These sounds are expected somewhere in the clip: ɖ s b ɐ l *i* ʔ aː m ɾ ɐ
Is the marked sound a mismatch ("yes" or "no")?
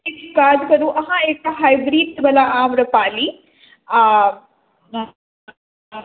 yes